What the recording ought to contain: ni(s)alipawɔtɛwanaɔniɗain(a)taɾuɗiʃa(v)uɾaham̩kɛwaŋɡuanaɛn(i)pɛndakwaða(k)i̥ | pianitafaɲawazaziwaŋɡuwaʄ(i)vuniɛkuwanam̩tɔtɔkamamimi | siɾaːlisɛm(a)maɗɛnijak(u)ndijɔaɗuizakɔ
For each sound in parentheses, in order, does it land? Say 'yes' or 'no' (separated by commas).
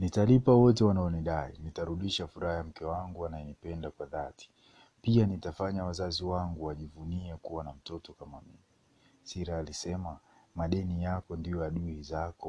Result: no, no, no, yes, no, yes, yes, no